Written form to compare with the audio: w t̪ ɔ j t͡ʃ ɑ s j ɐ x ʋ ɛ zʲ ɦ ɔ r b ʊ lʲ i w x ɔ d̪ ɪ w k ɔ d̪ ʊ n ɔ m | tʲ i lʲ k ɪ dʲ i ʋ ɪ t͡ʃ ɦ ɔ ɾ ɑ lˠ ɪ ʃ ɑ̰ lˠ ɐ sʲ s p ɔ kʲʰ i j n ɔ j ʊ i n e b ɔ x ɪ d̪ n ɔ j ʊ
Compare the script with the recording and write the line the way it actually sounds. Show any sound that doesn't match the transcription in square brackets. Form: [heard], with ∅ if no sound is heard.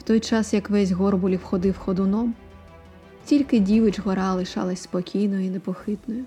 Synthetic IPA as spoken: w t̪ ɔ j t͡ʃ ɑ s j ɐ [k] ʋ ɛ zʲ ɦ ɔ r b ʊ lʲ i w x ɔ d̪ ɪ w [x] ɔ d̪ ʊ n ɔ m | tʲ i lʲ k ɪ dʲ i ʋ ɪ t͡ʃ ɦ ɔ ɾ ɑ lˠ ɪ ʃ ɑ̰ lˠ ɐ sʲ s p ɔ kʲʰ i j n ɔ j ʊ i n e [p] ɔ x ɪ [t̪] n ɔ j ʊ